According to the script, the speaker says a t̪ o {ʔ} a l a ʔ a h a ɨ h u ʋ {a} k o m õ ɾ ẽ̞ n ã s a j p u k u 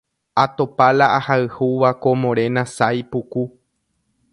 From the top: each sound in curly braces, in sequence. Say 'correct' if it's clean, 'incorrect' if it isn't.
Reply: incorrect, correct

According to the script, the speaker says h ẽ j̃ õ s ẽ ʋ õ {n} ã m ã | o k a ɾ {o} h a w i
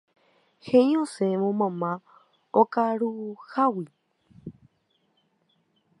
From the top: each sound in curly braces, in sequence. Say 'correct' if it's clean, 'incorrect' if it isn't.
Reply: incorrect, incorrect

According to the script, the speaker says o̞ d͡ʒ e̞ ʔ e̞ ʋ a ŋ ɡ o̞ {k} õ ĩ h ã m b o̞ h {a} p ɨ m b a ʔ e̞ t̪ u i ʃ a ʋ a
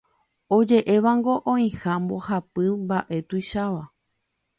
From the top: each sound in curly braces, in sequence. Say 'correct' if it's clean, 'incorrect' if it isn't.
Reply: incorrect, correct

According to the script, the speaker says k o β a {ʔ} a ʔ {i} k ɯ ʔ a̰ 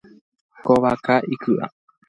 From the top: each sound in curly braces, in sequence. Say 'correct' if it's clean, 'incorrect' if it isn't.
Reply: incorrect, correct

